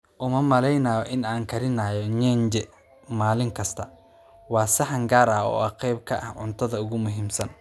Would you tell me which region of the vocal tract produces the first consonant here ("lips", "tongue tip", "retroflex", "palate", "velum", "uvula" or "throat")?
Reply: throat